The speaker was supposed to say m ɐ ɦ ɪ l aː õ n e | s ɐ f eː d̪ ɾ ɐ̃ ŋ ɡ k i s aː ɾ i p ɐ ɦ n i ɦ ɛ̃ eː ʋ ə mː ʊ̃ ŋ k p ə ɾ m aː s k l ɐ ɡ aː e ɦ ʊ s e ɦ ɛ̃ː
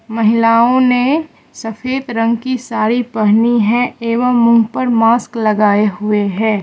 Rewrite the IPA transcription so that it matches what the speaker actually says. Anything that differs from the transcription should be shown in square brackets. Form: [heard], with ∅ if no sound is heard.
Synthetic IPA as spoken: m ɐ ɦ ɪ l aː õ n e | s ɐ f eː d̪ ɾ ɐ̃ ŋ ɡ k i s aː ɾ i p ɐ ɦ n i ɦ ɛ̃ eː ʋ ə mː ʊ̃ ŋ [ɡ] p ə ɾ m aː s k l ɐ ɡ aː e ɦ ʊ [∅] e ɦ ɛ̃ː